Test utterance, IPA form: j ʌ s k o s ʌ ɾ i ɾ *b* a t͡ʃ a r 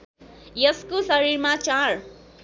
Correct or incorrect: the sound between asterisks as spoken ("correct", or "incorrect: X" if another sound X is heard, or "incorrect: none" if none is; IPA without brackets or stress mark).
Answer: incorrect: m